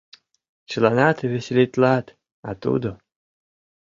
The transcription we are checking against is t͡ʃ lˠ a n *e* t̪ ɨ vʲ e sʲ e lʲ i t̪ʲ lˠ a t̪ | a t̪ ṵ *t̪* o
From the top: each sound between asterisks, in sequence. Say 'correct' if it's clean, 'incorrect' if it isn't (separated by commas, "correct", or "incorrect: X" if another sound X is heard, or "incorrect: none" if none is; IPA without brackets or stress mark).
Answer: incorrect: a, incorrect: d̪